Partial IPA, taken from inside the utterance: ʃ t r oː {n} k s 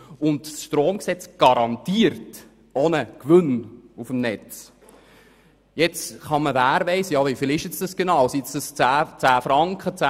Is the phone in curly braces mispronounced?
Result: yes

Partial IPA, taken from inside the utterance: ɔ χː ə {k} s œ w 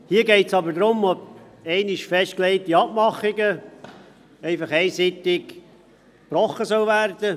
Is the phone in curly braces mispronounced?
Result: yes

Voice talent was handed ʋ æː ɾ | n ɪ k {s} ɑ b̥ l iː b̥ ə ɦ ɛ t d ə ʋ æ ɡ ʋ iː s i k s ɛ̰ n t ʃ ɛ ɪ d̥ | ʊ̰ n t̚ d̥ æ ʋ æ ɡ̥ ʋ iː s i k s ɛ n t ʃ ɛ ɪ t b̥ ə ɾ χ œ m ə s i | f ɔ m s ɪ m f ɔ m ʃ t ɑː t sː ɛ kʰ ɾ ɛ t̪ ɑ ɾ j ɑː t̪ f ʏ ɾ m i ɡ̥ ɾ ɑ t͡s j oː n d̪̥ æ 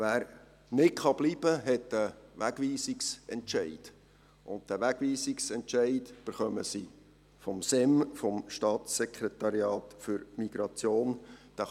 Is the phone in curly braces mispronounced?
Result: yes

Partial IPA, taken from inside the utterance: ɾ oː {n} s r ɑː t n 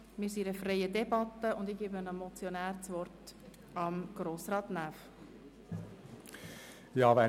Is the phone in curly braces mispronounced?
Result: yes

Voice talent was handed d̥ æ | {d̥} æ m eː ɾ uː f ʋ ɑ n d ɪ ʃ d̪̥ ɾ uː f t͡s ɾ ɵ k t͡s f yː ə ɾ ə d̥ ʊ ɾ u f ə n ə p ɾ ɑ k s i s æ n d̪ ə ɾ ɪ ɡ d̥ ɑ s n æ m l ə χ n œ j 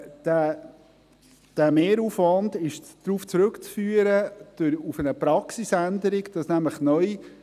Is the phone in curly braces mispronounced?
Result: no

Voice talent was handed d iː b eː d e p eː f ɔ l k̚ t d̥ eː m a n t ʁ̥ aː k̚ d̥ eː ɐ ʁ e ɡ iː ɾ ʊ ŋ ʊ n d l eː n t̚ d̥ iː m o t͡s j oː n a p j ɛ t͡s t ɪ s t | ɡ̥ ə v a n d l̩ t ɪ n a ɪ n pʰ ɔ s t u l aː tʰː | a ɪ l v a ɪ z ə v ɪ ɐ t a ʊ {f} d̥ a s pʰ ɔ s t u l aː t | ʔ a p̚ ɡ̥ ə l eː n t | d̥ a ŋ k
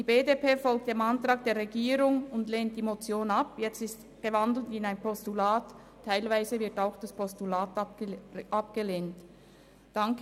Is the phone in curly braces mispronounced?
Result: yes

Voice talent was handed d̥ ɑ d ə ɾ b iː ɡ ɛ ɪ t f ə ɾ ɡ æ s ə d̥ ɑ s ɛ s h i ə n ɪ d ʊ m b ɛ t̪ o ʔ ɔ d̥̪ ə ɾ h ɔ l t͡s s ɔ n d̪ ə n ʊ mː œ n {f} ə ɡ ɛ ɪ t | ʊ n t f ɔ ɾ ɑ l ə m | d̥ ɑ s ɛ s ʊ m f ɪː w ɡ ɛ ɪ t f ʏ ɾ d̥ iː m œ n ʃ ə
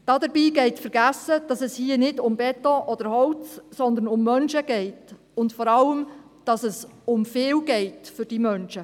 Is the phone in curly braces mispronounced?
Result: yes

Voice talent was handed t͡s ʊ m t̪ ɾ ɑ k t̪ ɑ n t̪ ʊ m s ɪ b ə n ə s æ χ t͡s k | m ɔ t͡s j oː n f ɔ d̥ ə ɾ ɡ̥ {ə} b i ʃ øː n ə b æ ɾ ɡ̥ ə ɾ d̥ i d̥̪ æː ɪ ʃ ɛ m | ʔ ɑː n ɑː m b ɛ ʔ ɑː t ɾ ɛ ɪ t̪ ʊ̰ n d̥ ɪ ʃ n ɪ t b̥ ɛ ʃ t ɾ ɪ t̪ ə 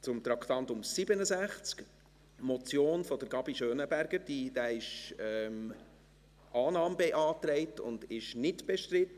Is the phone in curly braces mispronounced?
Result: yes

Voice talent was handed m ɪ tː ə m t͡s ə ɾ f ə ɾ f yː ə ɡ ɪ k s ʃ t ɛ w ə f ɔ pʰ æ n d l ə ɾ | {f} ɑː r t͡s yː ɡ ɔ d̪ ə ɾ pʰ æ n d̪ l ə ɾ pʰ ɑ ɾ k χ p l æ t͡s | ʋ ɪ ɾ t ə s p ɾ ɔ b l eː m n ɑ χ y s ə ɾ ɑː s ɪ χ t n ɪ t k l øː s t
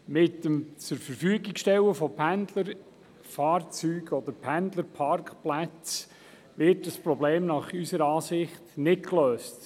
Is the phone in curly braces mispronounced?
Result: no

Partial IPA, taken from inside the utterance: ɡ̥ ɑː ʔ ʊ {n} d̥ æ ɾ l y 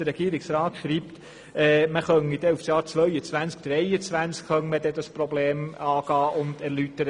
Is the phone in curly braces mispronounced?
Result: no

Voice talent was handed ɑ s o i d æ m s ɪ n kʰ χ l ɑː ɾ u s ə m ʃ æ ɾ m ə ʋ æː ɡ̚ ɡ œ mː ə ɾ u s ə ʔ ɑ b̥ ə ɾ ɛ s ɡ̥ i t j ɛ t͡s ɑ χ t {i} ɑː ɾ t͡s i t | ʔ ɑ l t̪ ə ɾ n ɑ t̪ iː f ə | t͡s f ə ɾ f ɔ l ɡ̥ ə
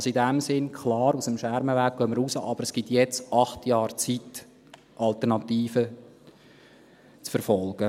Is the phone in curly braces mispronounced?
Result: yes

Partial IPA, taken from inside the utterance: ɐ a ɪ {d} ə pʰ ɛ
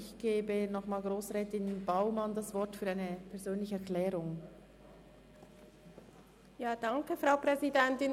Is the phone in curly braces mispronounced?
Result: yes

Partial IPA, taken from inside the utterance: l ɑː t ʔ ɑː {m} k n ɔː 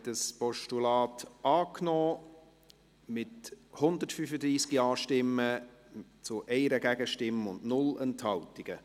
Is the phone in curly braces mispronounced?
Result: yes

